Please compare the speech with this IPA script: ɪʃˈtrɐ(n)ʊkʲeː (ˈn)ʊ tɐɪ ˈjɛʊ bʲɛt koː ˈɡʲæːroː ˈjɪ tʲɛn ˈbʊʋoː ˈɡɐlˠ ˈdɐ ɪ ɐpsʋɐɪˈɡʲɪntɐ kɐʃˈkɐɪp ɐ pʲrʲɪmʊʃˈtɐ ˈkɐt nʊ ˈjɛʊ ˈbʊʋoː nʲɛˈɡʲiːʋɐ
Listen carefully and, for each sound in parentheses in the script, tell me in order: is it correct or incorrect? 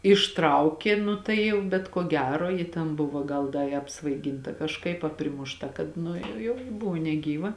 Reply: incorrect: none, correct

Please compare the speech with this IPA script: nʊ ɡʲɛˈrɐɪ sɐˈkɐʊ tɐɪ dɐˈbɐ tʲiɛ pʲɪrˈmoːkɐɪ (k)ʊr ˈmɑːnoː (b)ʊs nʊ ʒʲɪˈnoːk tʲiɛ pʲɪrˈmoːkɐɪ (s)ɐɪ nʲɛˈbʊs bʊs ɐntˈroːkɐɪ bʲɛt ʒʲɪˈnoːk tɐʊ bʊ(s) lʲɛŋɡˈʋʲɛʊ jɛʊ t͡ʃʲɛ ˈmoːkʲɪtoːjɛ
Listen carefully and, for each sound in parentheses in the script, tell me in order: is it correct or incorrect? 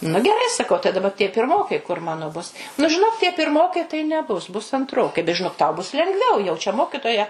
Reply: correct, correct, incorrect: t, correct

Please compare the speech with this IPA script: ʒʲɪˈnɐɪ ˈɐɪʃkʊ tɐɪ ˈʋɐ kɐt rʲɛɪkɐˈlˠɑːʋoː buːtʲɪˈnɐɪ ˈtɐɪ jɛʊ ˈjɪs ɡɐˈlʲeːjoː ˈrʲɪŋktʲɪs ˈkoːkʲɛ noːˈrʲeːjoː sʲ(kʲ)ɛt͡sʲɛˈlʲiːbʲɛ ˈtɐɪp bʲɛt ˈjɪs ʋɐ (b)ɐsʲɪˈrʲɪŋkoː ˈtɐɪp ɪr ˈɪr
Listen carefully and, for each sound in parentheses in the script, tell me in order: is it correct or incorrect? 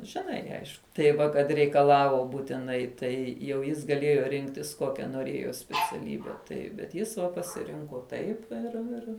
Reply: incorrect: pʲ, incorrect: p

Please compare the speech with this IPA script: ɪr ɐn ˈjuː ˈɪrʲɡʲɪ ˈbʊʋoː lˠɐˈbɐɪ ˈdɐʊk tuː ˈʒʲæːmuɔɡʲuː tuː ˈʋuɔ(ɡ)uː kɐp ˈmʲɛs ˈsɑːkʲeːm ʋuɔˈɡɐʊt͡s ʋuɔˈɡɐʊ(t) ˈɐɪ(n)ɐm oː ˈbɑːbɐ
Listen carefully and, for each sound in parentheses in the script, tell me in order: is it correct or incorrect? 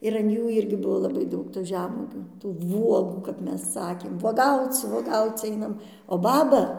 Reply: correct, incorrect: t͡s, correct

